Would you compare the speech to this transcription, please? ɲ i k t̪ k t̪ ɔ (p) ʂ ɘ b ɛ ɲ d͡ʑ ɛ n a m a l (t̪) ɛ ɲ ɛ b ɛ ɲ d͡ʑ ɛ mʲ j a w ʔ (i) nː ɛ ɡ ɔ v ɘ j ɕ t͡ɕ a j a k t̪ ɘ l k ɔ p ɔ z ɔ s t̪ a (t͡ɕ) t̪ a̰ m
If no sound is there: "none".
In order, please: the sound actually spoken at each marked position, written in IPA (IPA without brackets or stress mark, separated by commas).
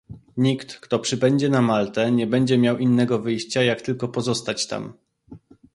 p, t̪, i, t͡ɕ